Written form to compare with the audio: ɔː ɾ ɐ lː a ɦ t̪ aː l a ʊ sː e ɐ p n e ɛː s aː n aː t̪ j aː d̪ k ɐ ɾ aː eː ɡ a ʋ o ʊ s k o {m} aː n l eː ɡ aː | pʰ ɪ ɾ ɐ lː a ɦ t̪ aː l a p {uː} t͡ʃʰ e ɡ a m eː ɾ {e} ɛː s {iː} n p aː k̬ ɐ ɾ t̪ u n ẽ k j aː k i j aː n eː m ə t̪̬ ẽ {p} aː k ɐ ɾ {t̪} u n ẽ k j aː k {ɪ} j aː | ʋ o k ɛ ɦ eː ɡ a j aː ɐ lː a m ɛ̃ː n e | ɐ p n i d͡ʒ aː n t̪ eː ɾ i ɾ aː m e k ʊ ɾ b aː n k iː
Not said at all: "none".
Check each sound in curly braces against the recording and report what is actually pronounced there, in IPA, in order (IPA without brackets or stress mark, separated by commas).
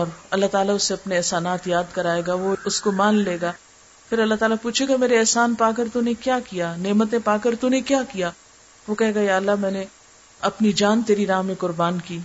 m, uː, e, aː, p, t̪, i